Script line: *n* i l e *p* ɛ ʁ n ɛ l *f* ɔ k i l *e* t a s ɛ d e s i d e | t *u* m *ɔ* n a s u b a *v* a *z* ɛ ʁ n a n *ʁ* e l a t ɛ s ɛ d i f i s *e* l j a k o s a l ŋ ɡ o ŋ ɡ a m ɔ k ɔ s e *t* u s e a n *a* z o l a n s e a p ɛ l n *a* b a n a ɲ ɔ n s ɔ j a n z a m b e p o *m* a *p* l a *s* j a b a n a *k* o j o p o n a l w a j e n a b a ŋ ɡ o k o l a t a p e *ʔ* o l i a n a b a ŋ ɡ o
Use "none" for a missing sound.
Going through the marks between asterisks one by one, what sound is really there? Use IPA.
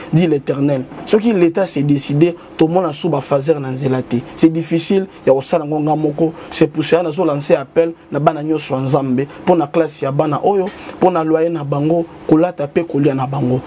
d, t, s, e, o, ɔ, f, z, z, i, p, a, a, n, k, s, ʔ, k

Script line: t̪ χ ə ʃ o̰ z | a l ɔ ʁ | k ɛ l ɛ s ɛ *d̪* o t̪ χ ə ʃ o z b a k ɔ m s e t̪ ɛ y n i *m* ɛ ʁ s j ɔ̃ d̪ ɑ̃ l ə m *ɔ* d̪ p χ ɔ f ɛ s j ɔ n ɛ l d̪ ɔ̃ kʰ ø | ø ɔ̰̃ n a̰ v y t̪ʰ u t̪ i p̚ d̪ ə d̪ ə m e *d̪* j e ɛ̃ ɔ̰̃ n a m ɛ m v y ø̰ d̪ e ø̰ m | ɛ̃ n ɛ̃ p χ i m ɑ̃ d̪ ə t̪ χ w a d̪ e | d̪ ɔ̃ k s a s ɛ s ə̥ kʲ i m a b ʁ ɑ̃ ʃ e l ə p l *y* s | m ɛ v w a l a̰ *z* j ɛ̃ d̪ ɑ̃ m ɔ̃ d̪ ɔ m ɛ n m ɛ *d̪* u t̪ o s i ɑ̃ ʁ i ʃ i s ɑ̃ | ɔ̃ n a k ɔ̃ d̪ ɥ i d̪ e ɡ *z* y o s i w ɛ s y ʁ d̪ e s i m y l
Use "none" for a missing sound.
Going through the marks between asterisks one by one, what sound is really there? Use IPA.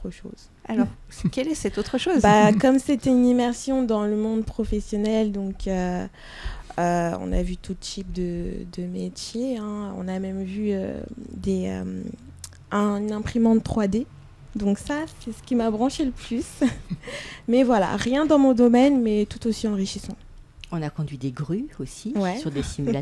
t̪, m, ɔ̃, t̪, y, ʁ, t̪, ʁ

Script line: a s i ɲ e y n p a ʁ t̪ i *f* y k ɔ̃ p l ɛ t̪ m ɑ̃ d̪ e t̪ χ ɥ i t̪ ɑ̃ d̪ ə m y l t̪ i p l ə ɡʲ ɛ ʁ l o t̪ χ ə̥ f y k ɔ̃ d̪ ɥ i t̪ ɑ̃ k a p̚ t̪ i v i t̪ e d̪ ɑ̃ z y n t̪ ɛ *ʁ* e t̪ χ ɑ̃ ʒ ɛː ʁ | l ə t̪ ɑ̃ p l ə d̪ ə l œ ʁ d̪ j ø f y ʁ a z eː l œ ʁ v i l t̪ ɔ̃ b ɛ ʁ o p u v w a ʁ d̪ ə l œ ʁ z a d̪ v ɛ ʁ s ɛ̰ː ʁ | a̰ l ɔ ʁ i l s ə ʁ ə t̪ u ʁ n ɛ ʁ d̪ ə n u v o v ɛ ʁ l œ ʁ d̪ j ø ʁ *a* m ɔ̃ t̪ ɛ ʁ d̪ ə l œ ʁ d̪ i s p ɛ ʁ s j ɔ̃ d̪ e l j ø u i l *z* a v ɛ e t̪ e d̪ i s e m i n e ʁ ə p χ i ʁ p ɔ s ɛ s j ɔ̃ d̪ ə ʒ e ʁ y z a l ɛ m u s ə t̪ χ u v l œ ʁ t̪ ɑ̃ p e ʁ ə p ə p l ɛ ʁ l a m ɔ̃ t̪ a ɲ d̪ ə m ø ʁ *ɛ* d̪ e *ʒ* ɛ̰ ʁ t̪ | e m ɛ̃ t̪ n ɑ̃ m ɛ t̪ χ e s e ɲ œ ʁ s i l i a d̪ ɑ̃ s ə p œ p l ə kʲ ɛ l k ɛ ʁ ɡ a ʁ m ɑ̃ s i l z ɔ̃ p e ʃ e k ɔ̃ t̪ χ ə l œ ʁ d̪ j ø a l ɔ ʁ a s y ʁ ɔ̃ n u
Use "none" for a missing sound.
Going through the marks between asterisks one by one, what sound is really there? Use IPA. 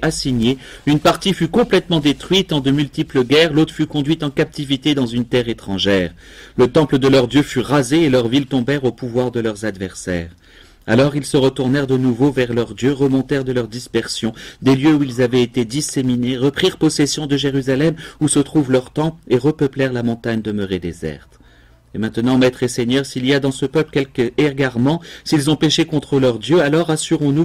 f, ʁ, ə, z, e, z

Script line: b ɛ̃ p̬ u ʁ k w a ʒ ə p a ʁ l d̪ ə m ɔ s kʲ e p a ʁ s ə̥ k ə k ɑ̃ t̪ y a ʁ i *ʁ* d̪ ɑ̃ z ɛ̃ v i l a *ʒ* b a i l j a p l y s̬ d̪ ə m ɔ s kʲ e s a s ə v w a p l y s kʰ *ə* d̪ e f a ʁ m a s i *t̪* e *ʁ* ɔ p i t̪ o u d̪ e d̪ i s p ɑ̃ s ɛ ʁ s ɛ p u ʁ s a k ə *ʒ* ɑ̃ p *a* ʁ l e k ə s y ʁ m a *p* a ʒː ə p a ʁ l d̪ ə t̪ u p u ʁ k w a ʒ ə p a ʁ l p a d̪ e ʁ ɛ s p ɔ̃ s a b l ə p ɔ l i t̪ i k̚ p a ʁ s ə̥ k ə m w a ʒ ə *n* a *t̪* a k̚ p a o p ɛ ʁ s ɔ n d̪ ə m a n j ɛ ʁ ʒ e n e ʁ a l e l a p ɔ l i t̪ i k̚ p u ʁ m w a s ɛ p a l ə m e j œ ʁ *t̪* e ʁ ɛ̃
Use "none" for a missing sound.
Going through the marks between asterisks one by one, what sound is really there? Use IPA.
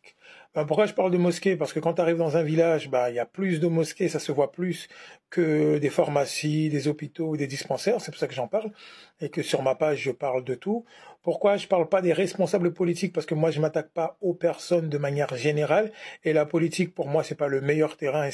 v, ʒ, ə, d̪, z, ʒ, a, p, m, t̪, t̪

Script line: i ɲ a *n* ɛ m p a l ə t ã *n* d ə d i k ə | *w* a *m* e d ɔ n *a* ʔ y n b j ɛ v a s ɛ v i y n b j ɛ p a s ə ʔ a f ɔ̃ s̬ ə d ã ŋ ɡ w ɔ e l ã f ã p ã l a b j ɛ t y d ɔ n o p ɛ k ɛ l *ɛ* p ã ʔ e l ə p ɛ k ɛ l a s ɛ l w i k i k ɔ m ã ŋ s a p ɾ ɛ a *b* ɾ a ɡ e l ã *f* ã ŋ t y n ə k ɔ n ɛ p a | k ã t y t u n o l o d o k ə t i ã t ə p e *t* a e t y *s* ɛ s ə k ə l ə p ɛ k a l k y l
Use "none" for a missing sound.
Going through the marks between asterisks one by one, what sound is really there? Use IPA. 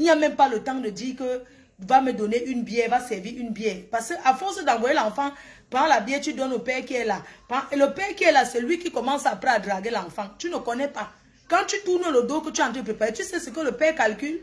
m, ŋ, v, m, e, a, d, f, p, s

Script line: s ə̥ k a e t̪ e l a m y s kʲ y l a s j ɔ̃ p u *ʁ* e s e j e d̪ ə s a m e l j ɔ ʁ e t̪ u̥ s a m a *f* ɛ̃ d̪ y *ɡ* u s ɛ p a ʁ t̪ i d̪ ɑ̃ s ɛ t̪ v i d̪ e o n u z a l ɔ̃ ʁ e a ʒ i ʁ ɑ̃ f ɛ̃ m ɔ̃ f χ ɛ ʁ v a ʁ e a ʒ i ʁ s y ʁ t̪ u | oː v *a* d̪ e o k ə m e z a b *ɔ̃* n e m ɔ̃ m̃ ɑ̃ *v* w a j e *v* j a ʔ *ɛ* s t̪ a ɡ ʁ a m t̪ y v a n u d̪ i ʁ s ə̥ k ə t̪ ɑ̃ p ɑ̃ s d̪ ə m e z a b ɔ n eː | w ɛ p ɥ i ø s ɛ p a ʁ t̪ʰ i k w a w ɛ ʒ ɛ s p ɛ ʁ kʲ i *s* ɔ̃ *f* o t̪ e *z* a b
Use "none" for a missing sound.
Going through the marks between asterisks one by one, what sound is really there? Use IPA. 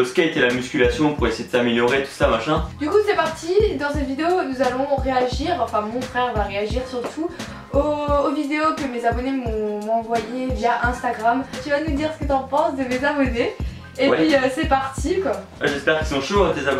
ʁ, ʃ, k, i, ɔ, v, v, ɛ̃, s, ʃ, z

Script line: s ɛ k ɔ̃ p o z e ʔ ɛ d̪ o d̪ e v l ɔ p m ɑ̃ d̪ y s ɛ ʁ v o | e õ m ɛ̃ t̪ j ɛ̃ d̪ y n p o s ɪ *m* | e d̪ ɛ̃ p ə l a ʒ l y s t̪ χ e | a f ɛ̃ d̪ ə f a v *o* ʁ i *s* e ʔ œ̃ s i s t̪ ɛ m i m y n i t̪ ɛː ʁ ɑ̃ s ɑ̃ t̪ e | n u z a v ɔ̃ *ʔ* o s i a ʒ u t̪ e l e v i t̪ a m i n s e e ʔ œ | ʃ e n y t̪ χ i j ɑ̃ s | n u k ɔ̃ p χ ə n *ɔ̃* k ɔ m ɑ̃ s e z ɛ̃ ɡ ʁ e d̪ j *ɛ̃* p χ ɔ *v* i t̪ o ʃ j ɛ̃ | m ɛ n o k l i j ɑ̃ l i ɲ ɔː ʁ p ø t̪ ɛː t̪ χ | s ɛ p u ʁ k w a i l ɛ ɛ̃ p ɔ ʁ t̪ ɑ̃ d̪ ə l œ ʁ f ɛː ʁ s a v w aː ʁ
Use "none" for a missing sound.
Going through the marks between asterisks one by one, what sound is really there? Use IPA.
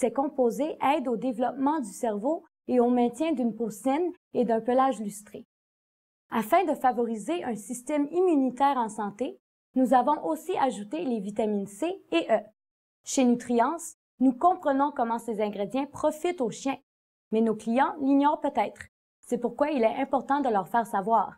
n, ɔ, z, ʔ, ɔ̃, ɛ̃, f

